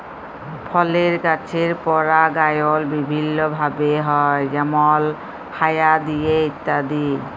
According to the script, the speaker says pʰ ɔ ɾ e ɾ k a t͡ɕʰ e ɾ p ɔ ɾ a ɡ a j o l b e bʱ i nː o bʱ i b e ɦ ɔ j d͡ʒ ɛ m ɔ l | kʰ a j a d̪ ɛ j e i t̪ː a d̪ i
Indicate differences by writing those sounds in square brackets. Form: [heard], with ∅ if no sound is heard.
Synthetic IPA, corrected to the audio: pʰ ɔ [l] e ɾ k a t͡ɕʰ e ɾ p ɔ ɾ a ɡ a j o l b [i] bʱ i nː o bʱ [a] b e ɦ ɔ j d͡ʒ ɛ m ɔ l | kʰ a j a d̪ [i] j e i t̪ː a d̪ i